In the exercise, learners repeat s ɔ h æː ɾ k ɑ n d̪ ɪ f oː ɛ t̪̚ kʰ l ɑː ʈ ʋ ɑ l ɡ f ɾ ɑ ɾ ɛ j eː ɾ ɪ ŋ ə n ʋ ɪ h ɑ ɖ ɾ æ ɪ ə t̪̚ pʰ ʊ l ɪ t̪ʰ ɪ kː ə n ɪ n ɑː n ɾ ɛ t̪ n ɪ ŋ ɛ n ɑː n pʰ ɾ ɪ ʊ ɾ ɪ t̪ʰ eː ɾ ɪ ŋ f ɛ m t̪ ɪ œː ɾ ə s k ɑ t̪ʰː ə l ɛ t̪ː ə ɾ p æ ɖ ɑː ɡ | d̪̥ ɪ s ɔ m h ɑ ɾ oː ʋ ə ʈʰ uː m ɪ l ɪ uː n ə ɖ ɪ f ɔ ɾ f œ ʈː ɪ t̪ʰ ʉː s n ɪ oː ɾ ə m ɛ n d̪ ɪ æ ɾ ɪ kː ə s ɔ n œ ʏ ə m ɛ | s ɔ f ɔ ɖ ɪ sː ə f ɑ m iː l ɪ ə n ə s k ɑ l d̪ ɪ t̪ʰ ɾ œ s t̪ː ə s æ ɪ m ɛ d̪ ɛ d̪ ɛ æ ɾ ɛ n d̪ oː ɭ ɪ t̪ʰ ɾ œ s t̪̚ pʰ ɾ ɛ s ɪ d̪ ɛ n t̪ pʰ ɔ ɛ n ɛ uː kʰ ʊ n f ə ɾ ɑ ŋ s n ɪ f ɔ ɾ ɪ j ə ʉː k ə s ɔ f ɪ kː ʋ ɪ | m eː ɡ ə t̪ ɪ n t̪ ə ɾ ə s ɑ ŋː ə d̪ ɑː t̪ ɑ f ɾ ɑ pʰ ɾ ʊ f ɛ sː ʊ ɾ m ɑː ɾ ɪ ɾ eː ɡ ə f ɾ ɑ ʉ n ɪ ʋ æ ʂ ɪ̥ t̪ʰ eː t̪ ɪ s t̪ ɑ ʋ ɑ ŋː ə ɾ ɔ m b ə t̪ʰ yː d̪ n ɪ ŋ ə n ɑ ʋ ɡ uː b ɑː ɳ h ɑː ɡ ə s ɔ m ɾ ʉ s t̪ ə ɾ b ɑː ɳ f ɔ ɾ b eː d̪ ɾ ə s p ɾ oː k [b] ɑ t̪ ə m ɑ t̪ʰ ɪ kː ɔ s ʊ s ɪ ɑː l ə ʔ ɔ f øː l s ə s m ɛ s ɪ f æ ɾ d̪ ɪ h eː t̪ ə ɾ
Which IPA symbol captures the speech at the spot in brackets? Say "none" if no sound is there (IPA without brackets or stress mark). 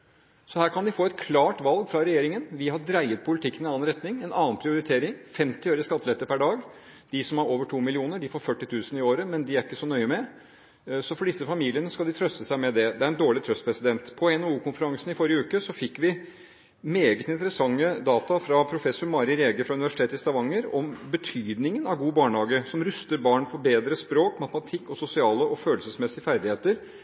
m